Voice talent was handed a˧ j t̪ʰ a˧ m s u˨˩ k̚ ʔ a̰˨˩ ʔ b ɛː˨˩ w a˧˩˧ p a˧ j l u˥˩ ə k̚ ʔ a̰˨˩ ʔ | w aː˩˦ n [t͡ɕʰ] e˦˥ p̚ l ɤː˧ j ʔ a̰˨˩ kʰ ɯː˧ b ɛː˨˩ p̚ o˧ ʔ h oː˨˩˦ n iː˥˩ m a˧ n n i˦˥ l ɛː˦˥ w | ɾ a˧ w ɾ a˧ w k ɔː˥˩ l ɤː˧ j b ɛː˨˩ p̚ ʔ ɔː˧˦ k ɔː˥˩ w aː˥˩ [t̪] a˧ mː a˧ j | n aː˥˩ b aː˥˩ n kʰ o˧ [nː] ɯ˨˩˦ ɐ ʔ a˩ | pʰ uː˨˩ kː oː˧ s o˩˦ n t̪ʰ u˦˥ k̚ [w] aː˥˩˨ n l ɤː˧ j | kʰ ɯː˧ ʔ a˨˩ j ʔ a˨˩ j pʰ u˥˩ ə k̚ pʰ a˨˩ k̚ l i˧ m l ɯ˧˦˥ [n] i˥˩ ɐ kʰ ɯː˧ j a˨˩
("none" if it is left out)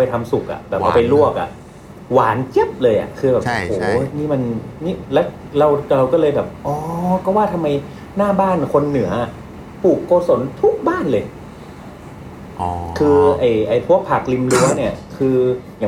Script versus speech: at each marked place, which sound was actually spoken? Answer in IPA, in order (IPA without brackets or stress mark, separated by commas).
t͡ɕ, t̪ʰ, nː, b, n